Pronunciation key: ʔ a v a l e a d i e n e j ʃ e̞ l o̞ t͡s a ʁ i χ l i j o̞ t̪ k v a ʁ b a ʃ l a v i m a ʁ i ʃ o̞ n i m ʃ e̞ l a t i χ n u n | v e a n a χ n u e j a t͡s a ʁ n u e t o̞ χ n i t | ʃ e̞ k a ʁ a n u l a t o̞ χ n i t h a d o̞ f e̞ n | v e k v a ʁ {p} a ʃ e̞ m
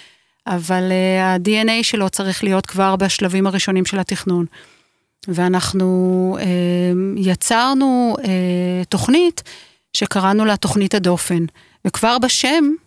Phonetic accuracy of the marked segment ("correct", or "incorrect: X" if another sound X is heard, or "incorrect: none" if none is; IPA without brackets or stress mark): incorrect: b